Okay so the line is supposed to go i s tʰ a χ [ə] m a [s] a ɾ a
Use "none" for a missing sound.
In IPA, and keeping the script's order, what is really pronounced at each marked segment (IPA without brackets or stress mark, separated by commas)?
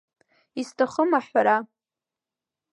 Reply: ə, ħ